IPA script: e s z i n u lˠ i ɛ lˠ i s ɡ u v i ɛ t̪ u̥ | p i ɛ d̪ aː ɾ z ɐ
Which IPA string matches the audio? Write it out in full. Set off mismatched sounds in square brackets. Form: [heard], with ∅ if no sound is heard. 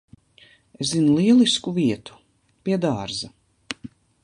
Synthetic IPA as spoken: e s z i n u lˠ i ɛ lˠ i s [k] u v i ɛ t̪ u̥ | p i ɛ d̪ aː ɾ z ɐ